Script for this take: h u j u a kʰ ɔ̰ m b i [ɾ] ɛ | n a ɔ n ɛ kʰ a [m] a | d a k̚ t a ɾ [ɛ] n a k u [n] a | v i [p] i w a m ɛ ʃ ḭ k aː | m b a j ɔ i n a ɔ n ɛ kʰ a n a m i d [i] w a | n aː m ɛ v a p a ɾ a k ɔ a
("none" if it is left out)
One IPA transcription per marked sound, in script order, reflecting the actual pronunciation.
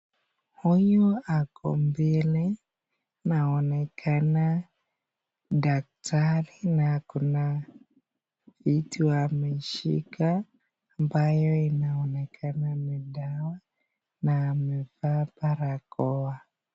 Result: l, n, i, n, t, a

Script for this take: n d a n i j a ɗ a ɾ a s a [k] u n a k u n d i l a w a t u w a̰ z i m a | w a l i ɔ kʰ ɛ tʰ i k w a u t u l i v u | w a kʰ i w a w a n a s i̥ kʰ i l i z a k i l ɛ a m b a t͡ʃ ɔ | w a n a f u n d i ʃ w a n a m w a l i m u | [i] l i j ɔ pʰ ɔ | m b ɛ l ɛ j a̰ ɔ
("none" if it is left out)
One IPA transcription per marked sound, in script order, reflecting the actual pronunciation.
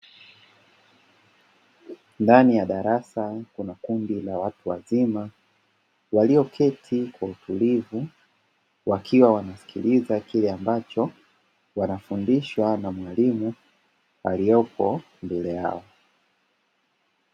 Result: k, a

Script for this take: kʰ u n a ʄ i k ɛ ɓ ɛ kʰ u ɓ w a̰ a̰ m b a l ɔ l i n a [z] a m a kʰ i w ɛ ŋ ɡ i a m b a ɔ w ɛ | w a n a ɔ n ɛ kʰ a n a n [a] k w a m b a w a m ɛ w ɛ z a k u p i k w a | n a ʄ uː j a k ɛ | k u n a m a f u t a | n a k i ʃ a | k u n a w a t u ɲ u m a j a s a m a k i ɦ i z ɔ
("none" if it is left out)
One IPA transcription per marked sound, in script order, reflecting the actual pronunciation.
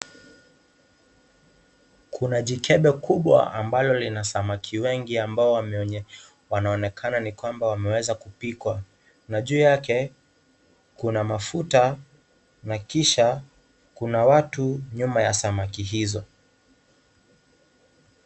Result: s, i

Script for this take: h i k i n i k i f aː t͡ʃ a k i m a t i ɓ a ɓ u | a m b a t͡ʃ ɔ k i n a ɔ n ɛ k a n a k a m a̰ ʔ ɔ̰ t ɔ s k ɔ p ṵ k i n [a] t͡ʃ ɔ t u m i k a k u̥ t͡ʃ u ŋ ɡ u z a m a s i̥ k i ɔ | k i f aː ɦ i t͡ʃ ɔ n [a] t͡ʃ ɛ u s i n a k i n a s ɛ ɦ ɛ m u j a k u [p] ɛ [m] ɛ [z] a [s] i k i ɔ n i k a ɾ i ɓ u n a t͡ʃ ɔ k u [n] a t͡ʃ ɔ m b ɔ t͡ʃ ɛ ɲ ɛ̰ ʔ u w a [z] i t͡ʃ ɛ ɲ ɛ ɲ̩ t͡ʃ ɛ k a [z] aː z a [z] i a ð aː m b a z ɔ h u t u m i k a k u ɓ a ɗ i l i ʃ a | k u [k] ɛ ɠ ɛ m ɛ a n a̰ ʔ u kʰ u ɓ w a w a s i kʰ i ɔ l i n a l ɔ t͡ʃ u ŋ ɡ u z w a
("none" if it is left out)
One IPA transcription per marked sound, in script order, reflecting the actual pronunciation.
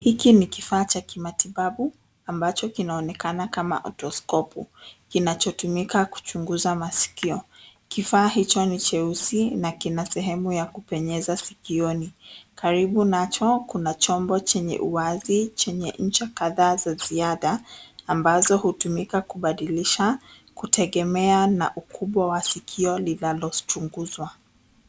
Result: a, i, p, ɲ, z, s, n, z, ð, z, t

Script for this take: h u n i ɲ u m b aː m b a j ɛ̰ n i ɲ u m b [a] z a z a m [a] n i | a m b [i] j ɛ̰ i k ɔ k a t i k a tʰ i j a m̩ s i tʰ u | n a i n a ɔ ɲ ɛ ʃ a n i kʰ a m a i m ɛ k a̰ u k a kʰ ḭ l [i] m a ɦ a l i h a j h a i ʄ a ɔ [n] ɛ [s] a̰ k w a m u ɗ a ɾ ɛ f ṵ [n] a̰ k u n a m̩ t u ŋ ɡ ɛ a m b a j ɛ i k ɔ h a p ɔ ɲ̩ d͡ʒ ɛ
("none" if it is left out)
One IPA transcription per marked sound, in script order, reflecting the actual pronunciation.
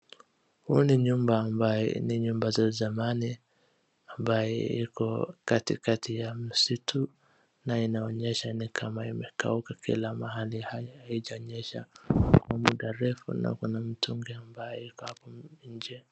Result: a, a, a, a, ɲ, ʃ, n

